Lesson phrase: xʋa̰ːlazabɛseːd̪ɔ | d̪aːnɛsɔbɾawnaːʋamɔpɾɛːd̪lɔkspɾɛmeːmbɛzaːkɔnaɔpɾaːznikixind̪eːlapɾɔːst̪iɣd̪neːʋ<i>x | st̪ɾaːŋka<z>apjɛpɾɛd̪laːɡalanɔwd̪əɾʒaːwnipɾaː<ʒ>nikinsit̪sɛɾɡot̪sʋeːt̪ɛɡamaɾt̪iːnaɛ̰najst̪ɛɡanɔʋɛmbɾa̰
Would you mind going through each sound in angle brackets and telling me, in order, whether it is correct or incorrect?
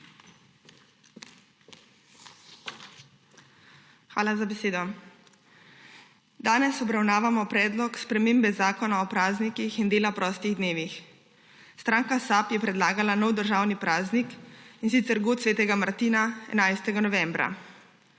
correct, incorrect: s, incorrect: z

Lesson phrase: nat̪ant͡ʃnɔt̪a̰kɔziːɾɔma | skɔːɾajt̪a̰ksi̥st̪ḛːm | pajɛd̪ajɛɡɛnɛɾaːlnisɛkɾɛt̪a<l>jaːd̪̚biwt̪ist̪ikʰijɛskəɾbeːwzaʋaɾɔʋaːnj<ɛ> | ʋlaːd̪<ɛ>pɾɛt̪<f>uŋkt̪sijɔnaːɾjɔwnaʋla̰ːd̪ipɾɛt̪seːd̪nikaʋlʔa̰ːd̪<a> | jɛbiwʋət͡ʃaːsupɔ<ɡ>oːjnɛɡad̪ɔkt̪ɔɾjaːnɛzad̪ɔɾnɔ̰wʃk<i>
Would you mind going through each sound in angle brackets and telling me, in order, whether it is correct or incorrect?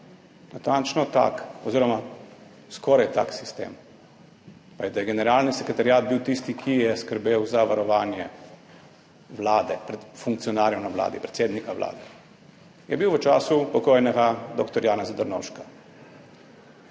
incorrect: ɾ, correct, correct, correct, incorrect: ɛ, incorrect: k, incorrect: a

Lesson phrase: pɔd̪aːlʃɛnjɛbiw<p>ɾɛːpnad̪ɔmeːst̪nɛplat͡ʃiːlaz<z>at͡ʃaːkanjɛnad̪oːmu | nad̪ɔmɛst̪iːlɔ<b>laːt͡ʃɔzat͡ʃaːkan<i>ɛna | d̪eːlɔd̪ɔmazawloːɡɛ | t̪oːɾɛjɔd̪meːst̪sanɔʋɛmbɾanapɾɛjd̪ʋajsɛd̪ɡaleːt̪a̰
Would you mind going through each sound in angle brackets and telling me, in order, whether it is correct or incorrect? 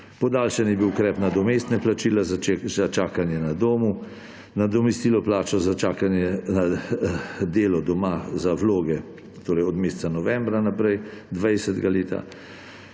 incorrect: k, correct, incorrect: p, incorrect: j

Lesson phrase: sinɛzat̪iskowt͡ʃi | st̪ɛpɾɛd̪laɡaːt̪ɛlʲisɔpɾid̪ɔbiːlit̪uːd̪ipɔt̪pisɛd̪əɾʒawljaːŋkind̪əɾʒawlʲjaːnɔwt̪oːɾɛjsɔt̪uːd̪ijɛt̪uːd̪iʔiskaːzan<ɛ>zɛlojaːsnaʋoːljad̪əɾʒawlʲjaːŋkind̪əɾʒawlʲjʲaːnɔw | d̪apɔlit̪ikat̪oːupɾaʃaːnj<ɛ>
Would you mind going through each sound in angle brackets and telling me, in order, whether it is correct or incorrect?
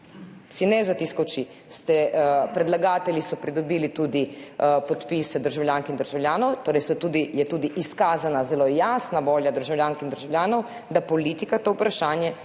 incorrect: a, correct

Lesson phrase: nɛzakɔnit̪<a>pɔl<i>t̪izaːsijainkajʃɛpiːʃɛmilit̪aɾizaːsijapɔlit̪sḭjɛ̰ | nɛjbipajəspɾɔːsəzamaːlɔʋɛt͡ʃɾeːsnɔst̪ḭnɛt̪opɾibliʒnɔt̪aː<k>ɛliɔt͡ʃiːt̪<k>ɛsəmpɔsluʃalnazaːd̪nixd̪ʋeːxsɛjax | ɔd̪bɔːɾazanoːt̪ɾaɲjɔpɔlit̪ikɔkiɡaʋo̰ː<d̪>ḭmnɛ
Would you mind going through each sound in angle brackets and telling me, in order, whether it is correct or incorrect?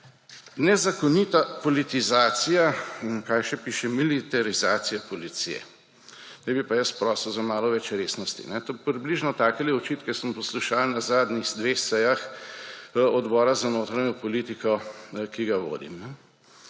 correct, correct, correct, correct, correct

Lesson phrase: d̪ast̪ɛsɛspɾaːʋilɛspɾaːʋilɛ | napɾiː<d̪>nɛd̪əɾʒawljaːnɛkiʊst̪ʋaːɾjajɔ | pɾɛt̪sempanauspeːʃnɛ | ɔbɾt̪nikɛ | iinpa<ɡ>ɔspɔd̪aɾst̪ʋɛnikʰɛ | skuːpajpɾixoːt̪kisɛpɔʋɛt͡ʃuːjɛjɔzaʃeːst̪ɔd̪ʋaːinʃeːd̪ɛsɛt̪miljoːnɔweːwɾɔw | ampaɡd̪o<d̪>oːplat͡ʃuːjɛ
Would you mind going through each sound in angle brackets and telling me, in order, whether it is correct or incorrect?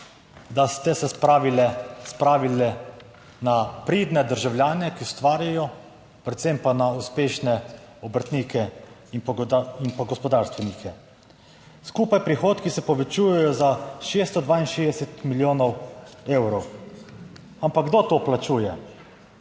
correct, correct, incorrect: t̪

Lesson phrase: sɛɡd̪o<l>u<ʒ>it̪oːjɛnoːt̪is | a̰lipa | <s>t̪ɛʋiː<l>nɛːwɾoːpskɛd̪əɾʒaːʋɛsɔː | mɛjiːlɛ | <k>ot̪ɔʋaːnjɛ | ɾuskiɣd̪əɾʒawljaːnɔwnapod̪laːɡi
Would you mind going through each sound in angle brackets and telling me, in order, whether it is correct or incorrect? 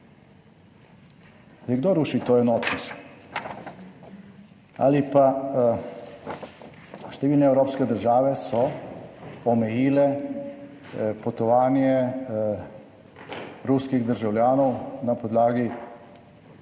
incorrect: ɾ, incorrect: ʃ, incorrect: ʃ, correct, incorrect: p

